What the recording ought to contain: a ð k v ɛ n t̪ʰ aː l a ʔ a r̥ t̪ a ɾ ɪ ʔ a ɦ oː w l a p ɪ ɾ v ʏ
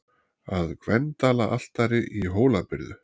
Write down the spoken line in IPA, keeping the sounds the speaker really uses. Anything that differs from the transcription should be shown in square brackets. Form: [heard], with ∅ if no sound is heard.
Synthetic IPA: a ð k v ɛ n [t̪] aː l a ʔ a [l̥] t̪ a ɾ ɪ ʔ [i] ɦ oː w l a p ɪ ɾ [ð] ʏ